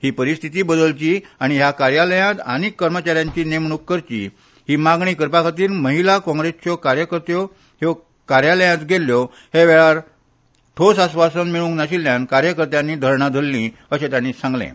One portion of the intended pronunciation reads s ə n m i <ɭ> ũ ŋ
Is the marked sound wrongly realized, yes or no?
no